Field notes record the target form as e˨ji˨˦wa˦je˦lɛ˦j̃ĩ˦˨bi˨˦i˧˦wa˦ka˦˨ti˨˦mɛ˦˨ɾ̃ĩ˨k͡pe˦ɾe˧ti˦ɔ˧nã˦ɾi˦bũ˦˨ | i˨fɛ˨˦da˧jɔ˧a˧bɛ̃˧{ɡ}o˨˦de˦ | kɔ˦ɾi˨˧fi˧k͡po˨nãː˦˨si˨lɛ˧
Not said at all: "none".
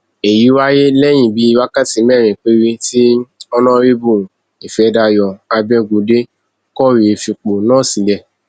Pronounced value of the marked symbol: ɡ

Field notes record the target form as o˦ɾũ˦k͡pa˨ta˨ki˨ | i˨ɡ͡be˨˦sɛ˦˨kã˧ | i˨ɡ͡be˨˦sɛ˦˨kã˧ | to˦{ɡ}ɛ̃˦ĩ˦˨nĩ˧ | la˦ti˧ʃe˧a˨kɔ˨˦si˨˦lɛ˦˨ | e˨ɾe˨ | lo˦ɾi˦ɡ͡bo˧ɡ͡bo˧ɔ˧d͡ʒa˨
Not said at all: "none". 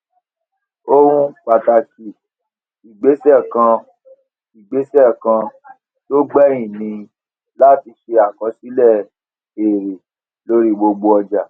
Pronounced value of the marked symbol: ɡ͡b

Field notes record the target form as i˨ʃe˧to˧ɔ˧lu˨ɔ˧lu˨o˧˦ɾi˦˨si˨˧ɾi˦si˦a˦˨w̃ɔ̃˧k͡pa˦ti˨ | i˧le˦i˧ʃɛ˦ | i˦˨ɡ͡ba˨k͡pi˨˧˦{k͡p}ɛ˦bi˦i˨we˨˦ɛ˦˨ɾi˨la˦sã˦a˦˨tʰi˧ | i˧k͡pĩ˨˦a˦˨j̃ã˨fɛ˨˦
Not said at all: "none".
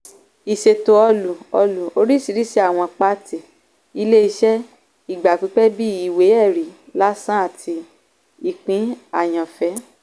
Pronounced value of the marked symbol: k͡p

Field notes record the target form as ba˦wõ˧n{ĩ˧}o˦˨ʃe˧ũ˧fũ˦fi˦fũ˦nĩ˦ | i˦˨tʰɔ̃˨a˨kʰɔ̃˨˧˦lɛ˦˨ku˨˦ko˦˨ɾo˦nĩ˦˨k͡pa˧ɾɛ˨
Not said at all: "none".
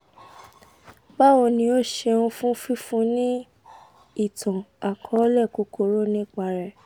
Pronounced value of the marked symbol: ĩ˧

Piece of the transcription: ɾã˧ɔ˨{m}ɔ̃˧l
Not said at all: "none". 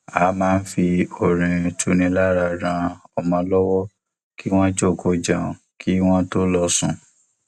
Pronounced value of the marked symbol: m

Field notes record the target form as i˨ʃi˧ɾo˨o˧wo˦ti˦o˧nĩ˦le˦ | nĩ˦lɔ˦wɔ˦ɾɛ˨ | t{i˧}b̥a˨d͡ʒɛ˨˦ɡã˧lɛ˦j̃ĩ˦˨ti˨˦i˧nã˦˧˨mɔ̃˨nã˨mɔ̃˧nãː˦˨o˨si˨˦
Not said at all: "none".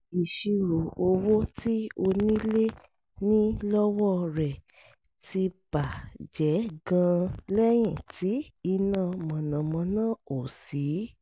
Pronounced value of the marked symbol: i˧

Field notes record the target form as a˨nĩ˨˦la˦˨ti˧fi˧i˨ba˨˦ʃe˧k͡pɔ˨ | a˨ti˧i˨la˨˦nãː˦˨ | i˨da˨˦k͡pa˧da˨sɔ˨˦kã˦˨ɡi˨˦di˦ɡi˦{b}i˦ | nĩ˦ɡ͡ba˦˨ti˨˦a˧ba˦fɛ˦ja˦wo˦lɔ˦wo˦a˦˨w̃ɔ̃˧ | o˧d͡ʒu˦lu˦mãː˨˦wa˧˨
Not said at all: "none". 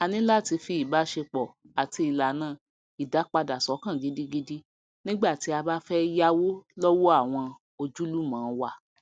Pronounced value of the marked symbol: d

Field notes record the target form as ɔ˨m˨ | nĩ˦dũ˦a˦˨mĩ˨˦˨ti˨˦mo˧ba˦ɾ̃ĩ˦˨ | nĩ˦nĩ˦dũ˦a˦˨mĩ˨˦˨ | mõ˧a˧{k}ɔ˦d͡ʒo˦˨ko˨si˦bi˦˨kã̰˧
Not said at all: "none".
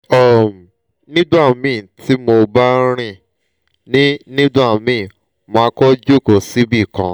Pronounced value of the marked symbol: k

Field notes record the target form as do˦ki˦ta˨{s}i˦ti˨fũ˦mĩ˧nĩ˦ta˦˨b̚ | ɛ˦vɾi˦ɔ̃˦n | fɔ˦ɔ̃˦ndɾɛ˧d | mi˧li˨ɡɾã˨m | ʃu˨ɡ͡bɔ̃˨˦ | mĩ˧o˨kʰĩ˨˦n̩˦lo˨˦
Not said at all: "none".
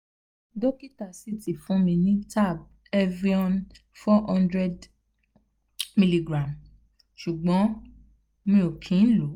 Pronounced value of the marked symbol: s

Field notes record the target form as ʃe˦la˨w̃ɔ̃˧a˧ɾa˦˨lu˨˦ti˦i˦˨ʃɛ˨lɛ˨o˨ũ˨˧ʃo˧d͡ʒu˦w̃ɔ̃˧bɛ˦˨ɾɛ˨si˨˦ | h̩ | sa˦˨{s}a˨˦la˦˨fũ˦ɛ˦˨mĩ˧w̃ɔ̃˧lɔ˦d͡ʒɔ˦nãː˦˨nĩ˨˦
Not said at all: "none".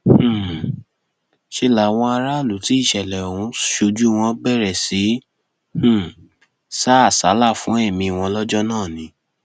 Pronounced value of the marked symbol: s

